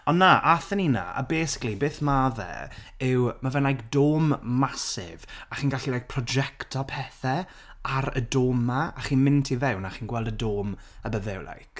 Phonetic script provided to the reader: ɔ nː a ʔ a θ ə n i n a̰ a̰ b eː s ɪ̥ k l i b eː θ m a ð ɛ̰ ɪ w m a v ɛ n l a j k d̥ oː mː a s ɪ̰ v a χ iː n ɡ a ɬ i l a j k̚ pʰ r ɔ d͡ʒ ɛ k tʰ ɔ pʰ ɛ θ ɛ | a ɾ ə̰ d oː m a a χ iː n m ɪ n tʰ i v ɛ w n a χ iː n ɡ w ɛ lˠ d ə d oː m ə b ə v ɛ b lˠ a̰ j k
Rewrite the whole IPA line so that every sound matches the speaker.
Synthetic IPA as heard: ɔ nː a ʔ a θ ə n i n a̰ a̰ b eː s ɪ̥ k l i b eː θ m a ð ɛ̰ ɪ w m a v ɛ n l a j k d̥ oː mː a s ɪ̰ v a χ iː n ɡ a ɬ i l a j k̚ pʰ r ɔ d͡ʒ ɛ k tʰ ɔ pʰ ɛ θ ɛ | a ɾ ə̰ d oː m a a χ iː n m ɪ n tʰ i v ɛ w n a χ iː n ɡ w ɛ lˠ d ə d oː m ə b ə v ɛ w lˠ a̰ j k